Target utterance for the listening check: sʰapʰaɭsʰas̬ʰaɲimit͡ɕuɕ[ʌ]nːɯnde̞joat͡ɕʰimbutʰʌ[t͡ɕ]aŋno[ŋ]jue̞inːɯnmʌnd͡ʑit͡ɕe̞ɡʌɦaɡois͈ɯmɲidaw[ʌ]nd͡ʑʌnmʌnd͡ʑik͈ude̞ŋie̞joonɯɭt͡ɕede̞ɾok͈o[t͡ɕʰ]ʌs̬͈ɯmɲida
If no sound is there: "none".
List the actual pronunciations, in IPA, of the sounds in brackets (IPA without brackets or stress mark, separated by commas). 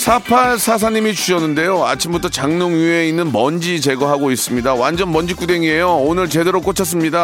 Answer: ʌ, t͡ɕ, ŋ, a, t͡ɕʰ